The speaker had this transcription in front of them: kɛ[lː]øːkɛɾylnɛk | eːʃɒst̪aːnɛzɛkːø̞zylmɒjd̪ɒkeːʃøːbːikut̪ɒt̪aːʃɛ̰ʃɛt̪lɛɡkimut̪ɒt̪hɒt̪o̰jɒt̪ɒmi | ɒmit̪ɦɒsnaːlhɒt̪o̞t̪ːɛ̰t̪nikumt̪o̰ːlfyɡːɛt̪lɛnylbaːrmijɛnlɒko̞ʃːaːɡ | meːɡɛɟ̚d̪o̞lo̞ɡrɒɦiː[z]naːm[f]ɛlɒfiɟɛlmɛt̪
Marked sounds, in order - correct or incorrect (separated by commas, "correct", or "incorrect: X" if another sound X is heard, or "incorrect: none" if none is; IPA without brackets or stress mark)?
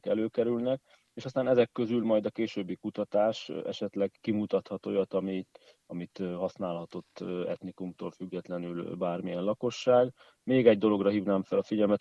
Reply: incorrect: l, incorrect: v, correct